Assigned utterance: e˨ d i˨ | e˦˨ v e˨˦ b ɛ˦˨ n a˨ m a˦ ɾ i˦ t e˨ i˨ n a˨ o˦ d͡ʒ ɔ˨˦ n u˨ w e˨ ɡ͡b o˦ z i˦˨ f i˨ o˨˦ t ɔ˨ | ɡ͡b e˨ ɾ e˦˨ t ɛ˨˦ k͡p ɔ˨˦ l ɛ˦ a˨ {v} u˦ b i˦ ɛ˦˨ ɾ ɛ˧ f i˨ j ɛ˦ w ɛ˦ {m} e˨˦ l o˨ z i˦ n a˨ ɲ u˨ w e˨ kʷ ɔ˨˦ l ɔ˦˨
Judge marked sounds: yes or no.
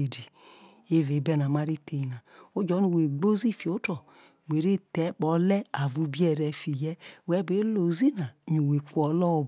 yes, no

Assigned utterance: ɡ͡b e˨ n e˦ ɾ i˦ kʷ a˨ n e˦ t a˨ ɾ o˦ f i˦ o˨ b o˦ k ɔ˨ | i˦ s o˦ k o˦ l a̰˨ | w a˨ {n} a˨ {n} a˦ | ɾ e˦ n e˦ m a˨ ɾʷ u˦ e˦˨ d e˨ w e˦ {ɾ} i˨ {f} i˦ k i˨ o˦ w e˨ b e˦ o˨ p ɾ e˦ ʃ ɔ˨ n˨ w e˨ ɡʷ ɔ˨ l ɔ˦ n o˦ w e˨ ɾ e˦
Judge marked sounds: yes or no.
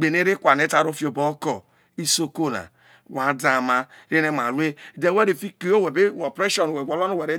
no, no, yes, yes

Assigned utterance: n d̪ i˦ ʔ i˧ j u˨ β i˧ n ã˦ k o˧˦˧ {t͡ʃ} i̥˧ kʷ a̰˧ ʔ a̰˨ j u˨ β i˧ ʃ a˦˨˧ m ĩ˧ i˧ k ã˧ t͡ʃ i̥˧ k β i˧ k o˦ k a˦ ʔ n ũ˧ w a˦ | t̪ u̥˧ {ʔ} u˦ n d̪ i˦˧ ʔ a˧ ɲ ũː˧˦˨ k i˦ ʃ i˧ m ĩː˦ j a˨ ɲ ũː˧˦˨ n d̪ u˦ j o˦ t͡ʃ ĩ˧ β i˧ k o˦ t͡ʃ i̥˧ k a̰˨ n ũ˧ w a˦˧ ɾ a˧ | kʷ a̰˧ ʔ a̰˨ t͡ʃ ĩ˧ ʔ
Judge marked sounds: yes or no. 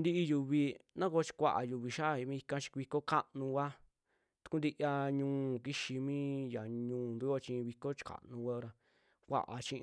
yes, no

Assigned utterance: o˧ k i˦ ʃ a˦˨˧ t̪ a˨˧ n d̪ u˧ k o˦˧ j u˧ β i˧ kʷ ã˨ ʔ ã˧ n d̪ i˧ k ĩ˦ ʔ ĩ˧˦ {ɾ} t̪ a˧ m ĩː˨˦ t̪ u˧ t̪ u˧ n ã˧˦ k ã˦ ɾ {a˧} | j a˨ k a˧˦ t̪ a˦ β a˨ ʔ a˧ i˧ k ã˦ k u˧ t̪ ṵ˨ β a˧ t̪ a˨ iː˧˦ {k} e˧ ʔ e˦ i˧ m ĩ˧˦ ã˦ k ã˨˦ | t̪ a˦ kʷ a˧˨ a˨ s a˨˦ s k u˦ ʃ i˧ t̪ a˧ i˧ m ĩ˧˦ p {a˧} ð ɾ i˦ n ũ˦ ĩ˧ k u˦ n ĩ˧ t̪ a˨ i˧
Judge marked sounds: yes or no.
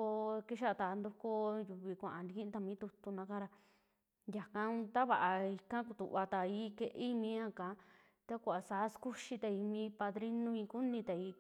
no, yes, yes, yes

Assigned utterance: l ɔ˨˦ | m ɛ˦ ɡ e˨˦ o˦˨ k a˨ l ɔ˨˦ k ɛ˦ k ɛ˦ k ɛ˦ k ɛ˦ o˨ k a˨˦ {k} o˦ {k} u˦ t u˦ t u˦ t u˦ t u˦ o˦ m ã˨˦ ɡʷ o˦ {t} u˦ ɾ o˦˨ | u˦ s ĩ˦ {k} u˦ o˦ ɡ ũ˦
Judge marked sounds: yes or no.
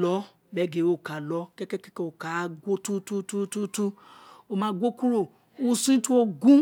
no, no, no, no

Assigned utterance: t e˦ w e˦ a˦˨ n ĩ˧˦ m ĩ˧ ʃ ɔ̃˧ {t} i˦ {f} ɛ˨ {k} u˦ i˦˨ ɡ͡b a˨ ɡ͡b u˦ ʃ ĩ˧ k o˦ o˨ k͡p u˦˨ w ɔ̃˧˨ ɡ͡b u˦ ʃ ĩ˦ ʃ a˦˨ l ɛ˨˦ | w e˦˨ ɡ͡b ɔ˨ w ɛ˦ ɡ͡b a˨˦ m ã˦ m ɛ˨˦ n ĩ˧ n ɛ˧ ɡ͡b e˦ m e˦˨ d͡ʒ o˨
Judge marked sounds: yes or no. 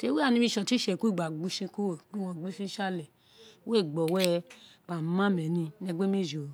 yes, no, yes

